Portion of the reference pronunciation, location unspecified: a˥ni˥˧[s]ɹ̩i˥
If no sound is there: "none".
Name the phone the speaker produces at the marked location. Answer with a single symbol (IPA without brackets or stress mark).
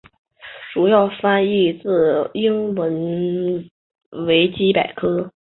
t͡s